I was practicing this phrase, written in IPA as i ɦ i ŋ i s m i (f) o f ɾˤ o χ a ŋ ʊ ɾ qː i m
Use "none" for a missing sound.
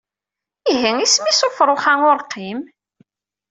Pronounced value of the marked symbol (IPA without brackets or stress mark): s